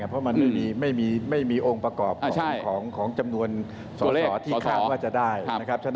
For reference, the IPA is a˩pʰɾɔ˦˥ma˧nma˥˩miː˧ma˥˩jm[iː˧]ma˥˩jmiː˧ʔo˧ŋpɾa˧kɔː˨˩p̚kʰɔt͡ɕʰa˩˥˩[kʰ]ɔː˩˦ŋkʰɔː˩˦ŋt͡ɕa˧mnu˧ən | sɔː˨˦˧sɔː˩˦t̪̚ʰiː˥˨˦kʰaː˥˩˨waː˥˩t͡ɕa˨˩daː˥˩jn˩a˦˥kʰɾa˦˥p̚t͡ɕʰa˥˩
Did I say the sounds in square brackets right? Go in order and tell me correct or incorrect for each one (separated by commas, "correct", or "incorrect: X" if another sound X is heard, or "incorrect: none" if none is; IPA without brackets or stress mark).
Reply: correct, correct